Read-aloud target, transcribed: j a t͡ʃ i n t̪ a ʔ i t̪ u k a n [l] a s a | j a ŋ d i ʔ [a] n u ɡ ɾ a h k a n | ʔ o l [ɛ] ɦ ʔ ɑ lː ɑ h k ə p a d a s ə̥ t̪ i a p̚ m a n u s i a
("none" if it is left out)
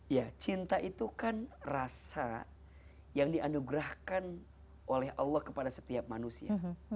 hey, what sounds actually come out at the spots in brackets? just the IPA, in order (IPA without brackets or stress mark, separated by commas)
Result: r, a, ɛ